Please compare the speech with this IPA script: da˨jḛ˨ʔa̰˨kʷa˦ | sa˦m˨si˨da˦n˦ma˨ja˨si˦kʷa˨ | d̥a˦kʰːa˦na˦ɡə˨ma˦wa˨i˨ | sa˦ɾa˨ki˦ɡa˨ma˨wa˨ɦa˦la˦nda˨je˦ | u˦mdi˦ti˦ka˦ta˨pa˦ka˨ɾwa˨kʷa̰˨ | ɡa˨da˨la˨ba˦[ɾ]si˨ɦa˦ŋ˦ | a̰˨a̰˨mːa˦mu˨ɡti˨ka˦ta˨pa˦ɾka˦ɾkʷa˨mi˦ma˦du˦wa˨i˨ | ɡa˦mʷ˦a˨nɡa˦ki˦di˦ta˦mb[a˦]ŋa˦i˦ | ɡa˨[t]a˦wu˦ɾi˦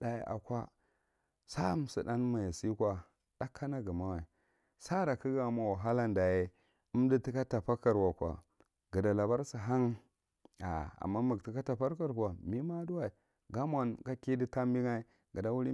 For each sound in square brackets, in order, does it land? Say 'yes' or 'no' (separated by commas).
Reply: yes, no, no